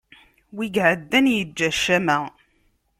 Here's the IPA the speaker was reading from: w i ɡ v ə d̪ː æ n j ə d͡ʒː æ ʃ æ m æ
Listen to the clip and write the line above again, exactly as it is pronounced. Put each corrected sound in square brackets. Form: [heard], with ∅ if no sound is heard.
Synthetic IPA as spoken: w i ɡ [ʕ] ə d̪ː æ n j ə d͡ʒː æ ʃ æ m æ